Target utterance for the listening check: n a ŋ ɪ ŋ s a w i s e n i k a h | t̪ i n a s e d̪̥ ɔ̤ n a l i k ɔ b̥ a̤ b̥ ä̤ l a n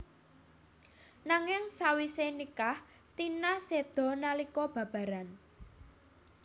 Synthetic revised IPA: n a ŋ ɪ ŋ s a w i s e n i k a h | t̪ i n a s e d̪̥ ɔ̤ n a l i k ɔ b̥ a̤ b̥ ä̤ ɾ a n